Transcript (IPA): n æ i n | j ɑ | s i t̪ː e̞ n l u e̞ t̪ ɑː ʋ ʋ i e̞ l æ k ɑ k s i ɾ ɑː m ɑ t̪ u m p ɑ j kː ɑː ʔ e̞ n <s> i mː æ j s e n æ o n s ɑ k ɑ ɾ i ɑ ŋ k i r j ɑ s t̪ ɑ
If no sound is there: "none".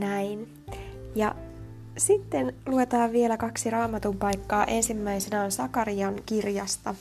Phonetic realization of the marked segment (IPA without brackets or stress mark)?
s